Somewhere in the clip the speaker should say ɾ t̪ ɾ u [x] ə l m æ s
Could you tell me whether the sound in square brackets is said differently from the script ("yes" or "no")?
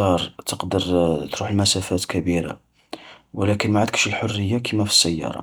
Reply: yes